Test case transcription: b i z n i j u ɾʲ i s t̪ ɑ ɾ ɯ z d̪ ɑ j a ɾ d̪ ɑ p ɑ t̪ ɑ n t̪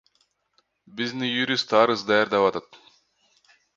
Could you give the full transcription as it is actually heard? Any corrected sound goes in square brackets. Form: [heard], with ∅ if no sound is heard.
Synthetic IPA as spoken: b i z n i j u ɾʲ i s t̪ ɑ ɾ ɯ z d̪ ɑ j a ɾ d̪ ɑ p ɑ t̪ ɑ [∅] t̪